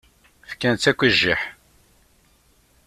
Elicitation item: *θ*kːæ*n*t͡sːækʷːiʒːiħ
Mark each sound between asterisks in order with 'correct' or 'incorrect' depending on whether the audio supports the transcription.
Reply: incorrect, correct

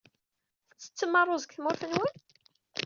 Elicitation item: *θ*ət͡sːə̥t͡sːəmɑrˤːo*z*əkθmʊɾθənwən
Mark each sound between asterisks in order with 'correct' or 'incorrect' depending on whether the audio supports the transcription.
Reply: correct, correct

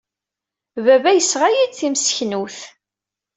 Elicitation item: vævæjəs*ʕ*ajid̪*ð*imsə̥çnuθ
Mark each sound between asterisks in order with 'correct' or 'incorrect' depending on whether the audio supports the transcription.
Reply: incorrect, incorrect

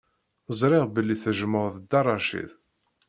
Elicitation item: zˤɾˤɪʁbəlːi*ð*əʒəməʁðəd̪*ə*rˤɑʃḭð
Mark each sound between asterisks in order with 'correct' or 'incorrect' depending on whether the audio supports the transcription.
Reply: incorrect, incorrect

